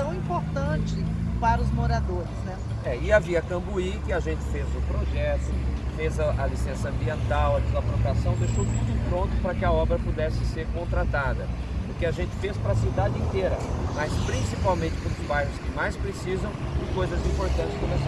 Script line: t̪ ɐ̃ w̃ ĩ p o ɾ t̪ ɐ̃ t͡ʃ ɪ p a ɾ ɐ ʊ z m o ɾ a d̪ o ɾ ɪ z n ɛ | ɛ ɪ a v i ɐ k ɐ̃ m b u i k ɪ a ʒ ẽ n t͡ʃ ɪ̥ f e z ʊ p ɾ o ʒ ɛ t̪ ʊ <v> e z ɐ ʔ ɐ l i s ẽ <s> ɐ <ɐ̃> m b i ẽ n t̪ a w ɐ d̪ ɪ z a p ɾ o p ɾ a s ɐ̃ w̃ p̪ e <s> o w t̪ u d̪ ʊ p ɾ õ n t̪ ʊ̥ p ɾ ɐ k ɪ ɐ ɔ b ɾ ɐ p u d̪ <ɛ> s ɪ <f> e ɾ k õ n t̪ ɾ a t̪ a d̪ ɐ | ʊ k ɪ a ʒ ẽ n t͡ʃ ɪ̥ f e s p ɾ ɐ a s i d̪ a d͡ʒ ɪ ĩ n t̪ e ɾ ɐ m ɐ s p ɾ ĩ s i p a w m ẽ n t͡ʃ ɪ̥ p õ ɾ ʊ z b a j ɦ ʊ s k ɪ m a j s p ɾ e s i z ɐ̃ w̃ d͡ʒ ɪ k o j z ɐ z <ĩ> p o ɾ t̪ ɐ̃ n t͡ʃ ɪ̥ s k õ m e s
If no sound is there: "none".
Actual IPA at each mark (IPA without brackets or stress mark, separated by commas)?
f, s, ɐ̃, ʃ, ɛ, s, ĩ